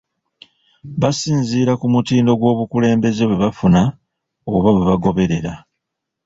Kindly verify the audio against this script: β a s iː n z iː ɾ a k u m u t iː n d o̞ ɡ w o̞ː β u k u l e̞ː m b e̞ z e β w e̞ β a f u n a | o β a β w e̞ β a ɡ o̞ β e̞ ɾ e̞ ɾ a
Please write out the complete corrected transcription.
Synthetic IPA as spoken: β a s iː n z iː ɾ a k u m u t iː n d o̞ ɡ w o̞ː β u k u l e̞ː m b e̞ z e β w e̞ β a f u n a | o β a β w e̞ β a ɡ o̞ β e̞ ɾ e̞ ɾ a